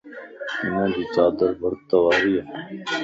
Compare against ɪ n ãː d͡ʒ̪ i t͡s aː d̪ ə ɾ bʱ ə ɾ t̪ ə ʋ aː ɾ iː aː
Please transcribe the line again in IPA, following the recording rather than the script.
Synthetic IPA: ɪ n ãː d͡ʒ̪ iː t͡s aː d̪ ə ɾ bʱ ə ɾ t̪ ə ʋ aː ɾ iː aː

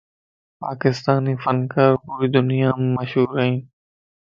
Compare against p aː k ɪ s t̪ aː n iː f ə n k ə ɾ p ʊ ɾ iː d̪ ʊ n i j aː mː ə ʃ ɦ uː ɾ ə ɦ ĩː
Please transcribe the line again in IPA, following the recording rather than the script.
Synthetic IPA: p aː k ɪ s t̪ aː n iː f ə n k ə ɾ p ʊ ɾ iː d̪ ʊ n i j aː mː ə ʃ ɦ uː ɾ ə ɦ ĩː

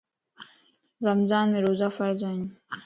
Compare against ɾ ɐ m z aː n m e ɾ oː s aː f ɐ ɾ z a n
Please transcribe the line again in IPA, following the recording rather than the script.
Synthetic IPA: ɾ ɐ m z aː n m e ɾ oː z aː f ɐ ɾ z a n

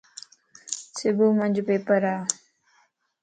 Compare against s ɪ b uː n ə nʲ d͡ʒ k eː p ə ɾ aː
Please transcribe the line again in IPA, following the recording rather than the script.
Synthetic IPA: s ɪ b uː m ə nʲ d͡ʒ p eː p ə ɾ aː

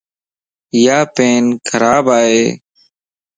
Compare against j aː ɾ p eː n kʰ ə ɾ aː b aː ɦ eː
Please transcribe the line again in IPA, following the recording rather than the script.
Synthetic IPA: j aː p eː n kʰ ə ɾ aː b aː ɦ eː

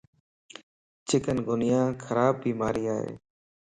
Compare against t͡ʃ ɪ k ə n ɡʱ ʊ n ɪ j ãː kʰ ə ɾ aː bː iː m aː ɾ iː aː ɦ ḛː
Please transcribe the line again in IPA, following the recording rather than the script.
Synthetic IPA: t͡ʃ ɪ k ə n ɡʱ ʊ n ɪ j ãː kʰ ə ɾ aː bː iː m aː ɾ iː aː ɦ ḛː

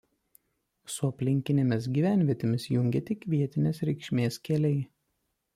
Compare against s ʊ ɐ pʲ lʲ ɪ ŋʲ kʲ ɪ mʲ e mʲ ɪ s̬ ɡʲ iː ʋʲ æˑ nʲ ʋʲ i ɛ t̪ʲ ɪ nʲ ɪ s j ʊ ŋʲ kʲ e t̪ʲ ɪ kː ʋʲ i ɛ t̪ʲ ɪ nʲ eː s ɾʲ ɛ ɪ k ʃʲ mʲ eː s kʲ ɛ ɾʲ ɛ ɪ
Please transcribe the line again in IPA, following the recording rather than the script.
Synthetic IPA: s ʊ ɐ pʲ lʲ ɪ ŋʲ kʲ ɪ nʲ e mʲ ɪ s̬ ɡʲ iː ʋʲ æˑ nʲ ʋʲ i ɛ t̪ʲ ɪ mʲ ɪ s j ʊ ŋʲ ɡʲ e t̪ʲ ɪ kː ʋʲ i ɛ t̪ʲ ɪ nʲ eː s ɾʲ ɛ ɪ k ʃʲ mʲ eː s kʲ ɛ lʲ ɛ ɪ

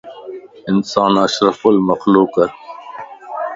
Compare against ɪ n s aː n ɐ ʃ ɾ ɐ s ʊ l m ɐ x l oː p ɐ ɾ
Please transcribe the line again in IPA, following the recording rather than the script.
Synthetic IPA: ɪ n s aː n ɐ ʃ ɾ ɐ f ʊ l m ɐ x l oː k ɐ ɾ

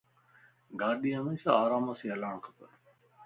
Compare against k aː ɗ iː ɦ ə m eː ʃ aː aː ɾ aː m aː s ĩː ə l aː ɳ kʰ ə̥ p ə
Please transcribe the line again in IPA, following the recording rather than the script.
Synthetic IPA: ɡ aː ɗ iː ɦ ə m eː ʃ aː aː ɾ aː m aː s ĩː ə l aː ɳ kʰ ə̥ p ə

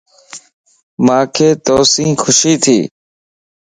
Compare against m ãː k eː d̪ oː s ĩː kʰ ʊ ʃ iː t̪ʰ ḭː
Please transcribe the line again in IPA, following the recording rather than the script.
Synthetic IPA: m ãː kʰ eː t̪ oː s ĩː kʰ ʊ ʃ iː t̪ʰ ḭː

